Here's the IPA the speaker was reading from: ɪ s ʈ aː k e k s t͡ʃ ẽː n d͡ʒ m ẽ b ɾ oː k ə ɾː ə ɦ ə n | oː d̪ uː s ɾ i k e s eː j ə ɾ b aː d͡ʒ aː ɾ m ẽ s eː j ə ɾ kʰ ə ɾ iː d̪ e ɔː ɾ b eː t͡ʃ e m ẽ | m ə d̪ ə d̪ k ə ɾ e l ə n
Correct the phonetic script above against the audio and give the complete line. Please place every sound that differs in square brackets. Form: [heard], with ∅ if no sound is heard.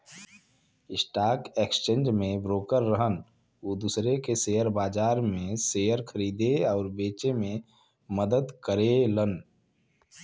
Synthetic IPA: ɪ s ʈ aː k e k s t͡ʃ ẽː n d͡ʒ m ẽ b ɾ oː k ə ɾː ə ɦ ə n | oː d̪ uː s ɾ [e] k e s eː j ə ɾ b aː d͡ʒ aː ɾ m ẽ s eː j ə ɾ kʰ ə ɾ iː d̪ e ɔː ɾ b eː t͡ʃ e m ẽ | m ə d̪ ə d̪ k ə ɾ e l ə n

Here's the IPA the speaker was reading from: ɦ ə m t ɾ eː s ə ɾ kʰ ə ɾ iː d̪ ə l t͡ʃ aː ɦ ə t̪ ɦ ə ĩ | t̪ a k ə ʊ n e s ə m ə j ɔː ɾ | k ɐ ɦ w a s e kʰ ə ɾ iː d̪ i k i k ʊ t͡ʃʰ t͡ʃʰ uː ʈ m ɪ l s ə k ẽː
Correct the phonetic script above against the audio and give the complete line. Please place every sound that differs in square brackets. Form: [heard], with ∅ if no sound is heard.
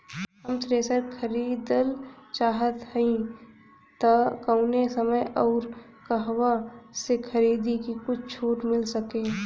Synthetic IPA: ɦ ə m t ɾ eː s ə ɾ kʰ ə ɾ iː d̪ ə l t͡ʃ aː ɦ ə t̪ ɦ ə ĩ | t̪ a k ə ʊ n e s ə m ə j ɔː ɾ | k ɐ ɦ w a s e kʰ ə ɾ iː d̪ i k i k ʊ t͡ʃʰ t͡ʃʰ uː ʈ m ɪ l s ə k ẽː

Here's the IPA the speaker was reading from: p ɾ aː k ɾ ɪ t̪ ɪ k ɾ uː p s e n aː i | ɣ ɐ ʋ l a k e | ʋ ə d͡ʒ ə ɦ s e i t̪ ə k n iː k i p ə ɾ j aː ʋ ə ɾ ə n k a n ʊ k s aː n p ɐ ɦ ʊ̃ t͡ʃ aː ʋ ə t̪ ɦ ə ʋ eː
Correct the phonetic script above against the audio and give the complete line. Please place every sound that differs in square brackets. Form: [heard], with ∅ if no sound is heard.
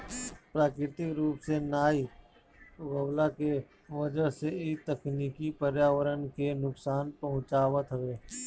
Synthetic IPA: p ɾ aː k ɾ ɪ t̪ ɪ k ɾ uː p s e n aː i | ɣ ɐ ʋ l a k e | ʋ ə d͡ʒ ə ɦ s e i t̪ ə k n iː k i p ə ɾ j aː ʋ ə ɾ ə n k [e] n ʊ k s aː n p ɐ ɦ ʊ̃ t͡ʃ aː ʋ ə t̪ ɦ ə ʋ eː

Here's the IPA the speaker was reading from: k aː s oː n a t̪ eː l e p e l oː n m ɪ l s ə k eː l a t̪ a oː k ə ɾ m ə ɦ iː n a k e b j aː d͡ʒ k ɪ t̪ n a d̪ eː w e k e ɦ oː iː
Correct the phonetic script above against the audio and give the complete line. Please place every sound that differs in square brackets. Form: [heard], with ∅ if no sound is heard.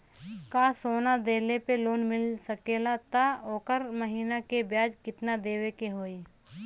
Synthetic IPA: k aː s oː n a [d̪] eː l e p e l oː n m ɪ l s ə k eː l a t̪ a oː k ə ɾ m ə ɦ iː n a k e b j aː d͡ʒ k ɪ t̪ n a d̪ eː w e k e ɦ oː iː

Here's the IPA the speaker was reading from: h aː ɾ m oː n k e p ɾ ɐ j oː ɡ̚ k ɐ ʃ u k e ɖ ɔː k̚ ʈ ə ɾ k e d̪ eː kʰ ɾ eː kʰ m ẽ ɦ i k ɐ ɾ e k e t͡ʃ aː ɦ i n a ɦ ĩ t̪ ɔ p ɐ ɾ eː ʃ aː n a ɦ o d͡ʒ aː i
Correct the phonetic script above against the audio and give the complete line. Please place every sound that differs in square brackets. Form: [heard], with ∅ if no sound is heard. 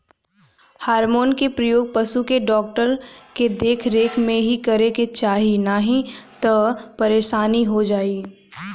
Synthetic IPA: h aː ɾ m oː n k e p ɾ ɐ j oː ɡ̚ [p] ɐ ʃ u k e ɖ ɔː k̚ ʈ ə ɾ k e d̪ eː kʰ ɾ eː kʰ m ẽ ɦ i k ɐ ɾ e k e t͡ʃ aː ɦ i n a ɦ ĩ t̪ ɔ p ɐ ɾ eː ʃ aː n [i] ɦ o d͡ʒ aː i

